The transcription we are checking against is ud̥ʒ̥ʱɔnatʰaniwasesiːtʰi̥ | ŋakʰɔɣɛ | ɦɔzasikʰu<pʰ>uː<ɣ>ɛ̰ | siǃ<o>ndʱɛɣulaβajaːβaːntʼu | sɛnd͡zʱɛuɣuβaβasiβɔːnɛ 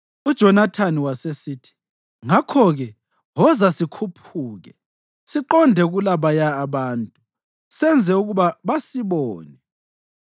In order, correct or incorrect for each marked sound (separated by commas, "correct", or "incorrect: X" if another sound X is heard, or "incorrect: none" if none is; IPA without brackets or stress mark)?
correct, correct, incorrect: ɔ